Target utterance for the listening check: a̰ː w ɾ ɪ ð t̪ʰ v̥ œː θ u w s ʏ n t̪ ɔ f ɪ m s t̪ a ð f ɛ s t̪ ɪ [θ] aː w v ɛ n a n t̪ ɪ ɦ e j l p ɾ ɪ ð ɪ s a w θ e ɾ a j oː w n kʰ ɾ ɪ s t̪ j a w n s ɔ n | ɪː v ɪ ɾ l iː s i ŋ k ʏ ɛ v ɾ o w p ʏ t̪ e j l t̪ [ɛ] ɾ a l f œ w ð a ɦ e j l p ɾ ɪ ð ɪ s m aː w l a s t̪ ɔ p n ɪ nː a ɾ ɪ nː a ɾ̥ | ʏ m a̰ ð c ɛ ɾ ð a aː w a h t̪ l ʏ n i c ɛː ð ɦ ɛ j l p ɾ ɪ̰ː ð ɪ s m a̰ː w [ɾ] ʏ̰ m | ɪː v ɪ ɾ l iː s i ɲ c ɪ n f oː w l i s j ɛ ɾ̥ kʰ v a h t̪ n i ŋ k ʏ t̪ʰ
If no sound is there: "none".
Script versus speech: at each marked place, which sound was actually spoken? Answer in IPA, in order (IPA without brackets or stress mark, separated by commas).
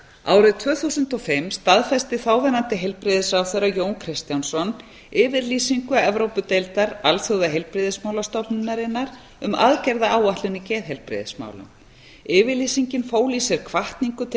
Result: θ, a, l